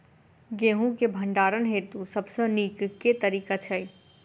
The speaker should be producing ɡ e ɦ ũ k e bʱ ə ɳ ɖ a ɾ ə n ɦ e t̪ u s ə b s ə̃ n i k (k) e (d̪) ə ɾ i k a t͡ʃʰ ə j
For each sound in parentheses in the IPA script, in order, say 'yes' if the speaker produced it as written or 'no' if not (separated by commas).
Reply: yes, no